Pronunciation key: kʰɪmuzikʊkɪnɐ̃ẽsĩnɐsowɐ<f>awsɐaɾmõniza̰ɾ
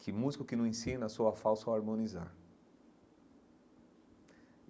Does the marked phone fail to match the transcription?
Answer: no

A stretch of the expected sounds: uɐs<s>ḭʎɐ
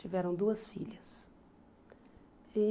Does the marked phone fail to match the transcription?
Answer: yes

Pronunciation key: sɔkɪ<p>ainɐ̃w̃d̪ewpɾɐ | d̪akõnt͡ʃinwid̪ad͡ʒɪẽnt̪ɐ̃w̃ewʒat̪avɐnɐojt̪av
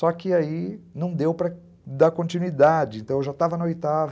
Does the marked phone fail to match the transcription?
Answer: yes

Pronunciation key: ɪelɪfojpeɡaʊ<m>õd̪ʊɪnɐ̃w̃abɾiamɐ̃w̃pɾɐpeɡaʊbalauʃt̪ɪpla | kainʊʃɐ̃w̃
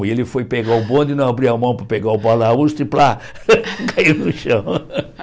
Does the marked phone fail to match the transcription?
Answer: yes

